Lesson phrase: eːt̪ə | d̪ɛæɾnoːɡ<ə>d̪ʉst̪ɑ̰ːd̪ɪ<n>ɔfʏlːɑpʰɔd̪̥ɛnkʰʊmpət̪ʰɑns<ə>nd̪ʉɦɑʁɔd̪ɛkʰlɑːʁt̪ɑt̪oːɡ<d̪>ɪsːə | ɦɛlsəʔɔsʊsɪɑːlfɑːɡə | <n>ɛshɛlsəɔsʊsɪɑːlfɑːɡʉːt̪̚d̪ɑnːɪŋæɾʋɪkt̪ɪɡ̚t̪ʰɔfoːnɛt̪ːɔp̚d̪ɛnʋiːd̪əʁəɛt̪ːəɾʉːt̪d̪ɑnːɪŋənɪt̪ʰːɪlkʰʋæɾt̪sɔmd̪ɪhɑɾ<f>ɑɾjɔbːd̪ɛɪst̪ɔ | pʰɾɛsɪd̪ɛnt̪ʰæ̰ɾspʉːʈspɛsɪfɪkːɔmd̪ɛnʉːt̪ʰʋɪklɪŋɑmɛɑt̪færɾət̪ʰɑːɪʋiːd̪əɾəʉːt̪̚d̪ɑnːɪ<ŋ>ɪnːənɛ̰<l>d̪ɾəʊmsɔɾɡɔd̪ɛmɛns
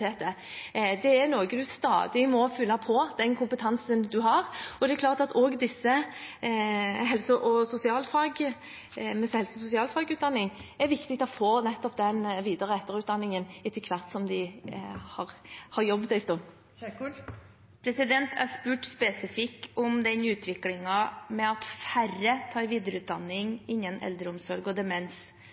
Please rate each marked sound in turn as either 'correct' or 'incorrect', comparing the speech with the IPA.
correct, incorrect, correct, correct, incorrect, incorrect, correct, correct

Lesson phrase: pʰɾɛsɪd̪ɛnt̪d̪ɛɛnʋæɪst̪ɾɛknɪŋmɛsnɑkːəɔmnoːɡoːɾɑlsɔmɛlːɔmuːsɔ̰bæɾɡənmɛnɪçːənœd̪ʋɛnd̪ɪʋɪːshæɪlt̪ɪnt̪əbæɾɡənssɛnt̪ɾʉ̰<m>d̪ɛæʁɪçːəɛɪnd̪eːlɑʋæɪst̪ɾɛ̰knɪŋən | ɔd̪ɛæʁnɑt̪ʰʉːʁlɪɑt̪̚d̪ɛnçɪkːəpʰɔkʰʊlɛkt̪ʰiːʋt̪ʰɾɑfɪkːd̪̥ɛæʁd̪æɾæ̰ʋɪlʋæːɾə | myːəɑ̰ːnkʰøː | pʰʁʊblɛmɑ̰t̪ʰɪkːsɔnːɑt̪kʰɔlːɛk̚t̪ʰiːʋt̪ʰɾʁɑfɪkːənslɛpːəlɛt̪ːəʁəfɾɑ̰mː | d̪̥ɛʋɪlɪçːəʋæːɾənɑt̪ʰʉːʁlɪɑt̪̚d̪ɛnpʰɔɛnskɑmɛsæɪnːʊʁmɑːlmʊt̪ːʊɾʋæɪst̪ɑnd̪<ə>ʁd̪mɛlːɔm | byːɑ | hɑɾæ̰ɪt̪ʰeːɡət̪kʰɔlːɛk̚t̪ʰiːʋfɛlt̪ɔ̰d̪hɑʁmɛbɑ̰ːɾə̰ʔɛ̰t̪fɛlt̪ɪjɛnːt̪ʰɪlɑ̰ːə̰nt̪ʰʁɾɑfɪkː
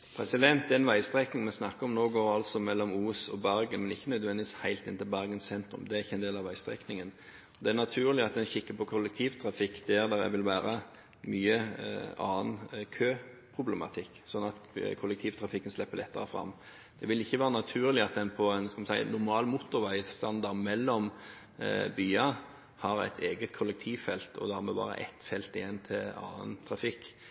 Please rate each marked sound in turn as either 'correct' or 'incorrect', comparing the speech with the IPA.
correct, incorrect

